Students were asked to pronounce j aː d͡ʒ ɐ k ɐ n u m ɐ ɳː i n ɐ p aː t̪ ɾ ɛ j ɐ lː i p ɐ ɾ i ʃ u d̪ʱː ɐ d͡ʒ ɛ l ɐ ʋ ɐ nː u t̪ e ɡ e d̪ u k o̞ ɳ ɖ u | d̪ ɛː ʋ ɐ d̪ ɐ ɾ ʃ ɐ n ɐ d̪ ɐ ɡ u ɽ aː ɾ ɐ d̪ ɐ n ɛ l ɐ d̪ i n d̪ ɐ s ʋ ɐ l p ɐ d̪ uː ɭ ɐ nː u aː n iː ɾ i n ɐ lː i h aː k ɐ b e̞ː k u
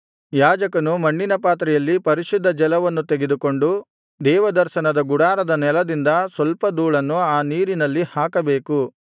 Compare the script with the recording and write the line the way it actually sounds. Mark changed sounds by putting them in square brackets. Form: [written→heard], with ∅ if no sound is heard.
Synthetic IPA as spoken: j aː d͡ʒ ɐ k ɐ n u m ɐ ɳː i n ɐ p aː t̪ ɾ ɛ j ɐ lː i p ɐ ɾ i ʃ u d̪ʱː ɐ d͡ʒ ɛ l ɐ ʋ ɐ nː u t̪ e ɡ e d̪ u k o̞ ɳ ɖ u | d̪ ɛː ʋ ɐ d̪ ɐ ɾ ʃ ɐ n ɐ d̪ ɐ ɡ u ɽ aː ɾ ɐ d̪ ɐ n ɛ l ɐ d̪ i n d̪ ɐ s ʋ ɐ l p ɐ d̪ uː ɭ ɐ nː u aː n iː ɾ i n ɐ lː i h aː k ɐ b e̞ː k u